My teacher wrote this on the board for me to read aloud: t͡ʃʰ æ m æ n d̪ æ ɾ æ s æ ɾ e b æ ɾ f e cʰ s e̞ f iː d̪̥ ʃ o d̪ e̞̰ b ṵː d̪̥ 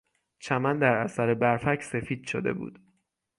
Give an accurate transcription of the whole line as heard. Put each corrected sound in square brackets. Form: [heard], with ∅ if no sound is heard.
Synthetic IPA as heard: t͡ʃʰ æ m æ n d̪ æ ɾ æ s æ ɾ e b æ ɾ f [æ] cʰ s e̞ f iː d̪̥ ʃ o d̪ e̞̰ b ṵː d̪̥